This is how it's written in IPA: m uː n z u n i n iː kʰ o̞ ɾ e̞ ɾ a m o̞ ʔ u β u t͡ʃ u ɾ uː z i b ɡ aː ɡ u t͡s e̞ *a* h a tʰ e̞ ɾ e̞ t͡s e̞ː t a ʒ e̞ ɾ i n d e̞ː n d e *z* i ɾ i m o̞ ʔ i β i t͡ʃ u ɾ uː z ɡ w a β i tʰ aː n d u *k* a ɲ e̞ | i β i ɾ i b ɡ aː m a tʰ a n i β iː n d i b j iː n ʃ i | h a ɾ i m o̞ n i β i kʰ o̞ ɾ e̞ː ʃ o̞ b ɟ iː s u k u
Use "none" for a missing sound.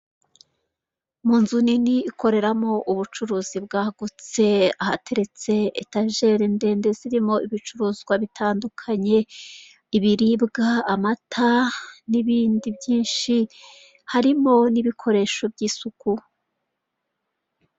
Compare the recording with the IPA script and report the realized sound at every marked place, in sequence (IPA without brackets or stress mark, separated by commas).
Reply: a, z, kʰ